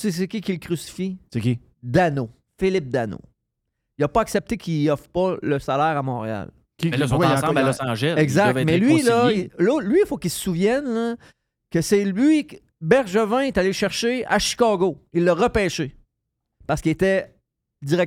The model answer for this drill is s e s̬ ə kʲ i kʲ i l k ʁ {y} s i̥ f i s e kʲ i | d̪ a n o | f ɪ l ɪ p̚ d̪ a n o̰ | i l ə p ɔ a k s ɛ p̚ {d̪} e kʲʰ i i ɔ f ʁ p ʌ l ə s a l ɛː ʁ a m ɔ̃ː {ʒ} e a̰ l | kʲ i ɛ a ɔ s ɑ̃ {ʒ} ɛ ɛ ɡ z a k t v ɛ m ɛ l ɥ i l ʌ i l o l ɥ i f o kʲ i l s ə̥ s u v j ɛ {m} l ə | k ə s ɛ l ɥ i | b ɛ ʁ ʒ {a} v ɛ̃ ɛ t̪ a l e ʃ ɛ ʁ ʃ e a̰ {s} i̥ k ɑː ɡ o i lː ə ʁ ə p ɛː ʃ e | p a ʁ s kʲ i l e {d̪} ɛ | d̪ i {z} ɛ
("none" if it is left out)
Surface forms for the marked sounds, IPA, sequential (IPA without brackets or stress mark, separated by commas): y, t̪, ʁ, ʒ, n, ə, ʃ, t̪, ʁ